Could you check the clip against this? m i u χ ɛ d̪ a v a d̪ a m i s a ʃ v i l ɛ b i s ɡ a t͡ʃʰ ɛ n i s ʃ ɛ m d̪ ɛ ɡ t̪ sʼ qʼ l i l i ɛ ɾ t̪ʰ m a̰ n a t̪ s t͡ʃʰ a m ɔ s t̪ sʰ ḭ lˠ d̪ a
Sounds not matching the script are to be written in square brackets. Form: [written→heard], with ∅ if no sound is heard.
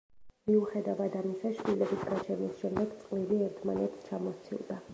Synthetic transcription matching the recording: m i u χ ɛ d̪ a v a d̪ a m i s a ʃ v i l ɛ b i s ɡ a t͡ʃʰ ɛ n i s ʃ ɛ m d̪ ɛ ɡ t̪ sʼ qʼ l i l i ɛ ɾ t̪ʰ m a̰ n [a→ɛ] t̪ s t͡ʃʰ a m ɔ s t̪ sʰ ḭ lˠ d̪ a